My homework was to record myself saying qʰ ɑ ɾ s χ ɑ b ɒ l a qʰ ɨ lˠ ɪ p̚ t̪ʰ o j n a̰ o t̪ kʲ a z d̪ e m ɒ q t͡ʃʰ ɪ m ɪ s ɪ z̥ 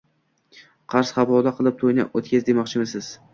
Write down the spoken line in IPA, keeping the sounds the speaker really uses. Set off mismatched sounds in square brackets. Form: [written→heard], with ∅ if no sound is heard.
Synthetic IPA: qʰ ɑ ɾ s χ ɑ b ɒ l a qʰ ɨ lˠ ɪ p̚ t̪ʰ o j n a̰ o t̪ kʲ a z d̪ e m ɒ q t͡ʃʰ ɪ m ɪ s ɪ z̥